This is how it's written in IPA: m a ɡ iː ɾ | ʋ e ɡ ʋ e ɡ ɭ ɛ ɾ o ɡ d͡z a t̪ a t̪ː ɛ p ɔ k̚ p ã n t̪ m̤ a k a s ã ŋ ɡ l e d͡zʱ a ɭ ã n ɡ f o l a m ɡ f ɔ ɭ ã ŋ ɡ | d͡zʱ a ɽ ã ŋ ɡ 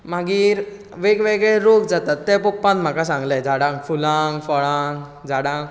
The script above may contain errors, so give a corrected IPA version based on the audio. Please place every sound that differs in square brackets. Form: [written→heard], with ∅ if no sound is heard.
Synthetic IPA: m a ɡ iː ɾ | ʋ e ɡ ʋ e ɡ ɭ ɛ ɾ o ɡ d͡z a t̪ a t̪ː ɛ p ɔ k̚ p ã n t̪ m̤ a k a s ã ŋ ɡ l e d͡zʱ a [ɭ→ɽ] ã [n→ŋ] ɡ f [o→u] l a [m→ŋ] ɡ f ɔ ɭ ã ŋ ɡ | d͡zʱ a ɽ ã ŋ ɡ

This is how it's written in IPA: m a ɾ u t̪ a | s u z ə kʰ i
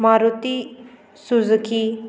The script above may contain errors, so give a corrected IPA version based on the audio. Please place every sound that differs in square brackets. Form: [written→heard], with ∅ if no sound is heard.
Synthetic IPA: m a ɾ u t̪ [a→i] | s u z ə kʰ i

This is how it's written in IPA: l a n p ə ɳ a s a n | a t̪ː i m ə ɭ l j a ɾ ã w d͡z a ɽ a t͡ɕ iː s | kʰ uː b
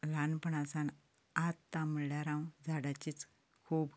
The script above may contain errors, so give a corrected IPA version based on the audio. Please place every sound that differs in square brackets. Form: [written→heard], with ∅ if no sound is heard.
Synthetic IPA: l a n p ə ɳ a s a n | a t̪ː [i→a] m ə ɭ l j a ɾ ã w d͡z a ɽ a t͡ɕ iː [s→t͡s] | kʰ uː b

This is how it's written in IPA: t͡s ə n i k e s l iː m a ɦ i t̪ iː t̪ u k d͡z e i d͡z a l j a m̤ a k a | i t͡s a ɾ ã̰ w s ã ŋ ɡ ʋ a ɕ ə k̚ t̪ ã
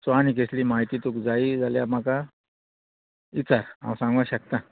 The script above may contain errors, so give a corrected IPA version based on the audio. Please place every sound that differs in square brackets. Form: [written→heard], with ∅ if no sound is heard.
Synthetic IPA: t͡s [ə→a] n i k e s l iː m a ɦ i t̪ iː t̪ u k d͡z [e→a] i d͡z a l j a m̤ a k a | i t͡s a ɾ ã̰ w s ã ŋ ɡ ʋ a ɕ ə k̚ t̪ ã

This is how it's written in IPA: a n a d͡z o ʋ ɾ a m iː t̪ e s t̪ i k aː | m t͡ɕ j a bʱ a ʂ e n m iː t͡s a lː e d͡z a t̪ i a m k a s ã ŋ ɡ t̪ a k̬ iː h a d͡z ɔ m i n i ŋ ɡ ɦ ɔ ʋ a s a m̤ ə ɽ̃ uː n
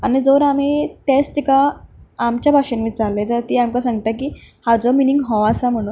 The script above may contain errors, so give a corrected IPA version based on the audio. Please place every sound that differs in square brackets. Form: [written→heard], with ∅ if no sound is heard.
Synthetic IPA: a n [a→i] d͡z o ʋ ɾ a m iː t̪ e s t̪ i k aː | m t͡ɕ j a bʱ a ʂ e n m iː t͡s a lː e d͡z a t̪ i a m k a s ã ŋ ɡ t̪ a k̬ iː h a d͡z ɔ m i n i ŋ ɡ ɦ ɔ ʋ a s a m̤ ə ɽ̃ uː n

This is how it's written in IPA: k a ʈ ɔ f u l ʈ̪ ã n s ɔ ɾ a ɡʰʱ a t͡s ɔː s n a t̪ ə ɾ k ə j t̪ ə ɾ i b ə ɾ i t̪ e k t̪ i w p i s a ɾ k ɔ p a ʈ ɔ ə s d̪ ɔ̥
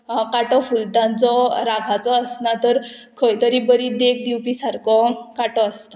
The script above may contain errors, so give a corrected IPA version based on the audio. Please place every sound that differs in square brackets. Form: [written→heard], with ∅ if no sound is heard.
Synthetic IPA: k a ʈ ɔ f u l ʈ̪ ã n [s→t͡s] ɔ ɾ a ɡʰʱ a t͡s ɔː s n a t̪ ə ɾ [k→kʰ] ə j t̪ ə ɾ i b ə ɾ i [t̪→d̪] e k [t̪→d̪] i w p i s a ɾ k ɔ [p→k] a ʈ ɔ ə s [d̪→t̪] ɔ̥

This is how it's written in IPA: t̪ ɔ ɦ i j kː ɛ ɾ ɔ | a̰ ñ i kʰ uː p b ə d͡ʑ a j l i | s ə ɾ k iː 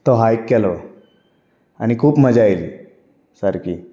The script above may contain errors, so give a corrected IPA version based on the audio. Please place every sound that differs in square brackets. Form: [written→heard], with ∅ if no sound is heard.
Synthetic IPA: t̪ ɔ ɦ [i→a] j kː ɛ [ɾ→l] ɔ | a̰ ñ i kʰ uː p [b→m] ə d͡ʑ a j l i | s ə ɾ k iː

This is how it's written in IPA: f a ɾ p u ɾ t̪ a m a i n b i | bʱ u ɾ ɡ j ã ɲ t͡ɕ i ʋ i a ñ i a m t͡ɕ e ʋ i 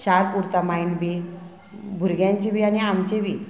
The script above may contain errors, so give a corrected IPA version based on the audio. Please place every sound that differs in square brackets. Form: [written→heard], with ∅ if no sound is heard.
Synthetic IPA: [f→ɕ] a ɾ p u ɾ t̪ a m a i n b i | bʱ u ɾ ɡ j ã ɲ t͡ɕ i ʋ i a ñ i a m t͡ɕ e ʋ i

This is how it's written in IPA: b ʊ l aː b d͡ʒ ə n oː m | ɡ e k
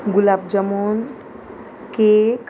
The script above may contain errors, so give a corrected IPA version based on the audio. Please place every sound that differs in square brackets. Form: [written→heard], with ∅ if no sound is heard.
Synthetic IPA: [b→ɡ] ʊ l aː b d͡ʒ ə [n→m] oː [m→n] | [ɡ→k] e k

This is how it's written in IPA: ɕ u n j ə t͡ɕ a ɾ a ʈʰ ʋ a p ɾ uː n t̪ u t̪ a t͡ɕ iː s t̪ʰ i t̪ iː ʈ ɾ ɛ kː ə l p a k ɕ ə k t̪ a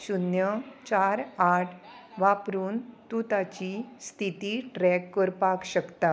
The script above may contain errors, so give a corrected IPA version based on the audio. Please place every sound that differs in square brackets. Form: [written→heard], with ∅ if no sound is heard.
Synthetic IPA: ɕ u n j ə t͡ɕ a ɾ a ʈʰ ʋ a p ɾ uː n t̪ u t̪ a t͡ɕ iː s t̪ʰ i t̪ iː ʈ ɾ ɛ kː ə [l→ɾ] p a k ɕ ə k t̪ a

